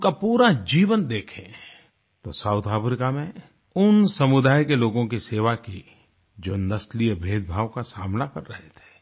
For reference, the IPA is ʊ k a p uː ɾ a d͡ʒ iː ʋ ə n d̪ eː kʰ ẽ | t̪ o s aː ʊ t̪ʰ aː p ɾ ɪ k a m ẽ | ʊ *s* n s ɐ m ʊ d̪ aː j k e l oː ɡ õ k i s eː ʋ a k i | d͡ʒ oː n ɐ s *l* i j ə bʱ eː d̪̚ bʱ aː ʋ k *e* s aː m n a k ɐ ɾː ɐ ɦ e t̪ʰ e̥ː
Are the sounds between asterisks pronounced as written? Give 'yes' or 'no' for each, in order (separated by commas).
no, yes, no